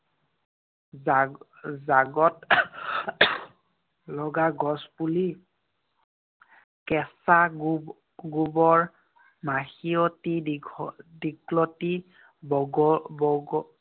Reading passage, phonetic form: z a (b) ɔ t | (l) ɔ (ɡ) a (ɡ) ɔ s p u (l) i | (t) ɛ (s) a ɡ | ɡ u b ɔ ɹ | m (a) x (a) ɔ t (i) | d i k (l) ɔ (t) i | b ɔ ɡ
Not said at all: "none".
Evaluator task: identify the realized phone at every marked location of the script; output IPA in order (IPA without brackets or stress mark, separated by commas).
ɡ, l, ɡ, ɡ, l, k, s, a, i, i, l, t